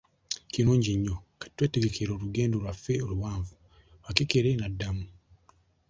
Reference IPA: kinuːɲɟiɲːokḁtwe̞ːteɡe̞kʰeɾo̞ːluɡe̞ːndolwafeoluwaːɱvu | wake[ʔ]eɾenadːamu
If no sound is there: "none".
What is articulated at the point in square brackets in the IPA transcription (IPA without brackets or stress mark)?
k